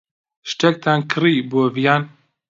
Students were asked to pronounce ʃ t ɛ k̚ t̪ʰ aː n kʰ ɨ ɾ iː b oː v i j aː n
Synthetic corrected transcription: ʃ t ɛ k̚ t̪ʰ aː n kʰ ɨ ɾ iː b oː v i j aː n